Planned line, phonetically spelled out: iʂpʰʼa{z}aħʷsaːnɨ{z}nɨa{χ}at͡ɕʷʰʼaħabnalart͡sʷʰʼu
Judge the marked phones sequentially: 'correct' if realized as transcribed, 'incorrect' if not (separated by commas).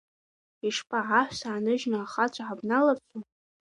incorrect, incorrect, correct